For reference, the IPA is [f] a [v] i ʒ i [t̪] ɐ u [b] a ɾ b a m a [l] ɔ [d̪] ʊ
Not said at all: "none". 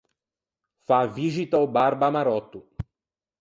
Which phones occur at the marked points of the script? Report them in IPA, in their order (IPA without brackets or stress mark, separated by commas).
f, v, t̪, b, ɾ, t̪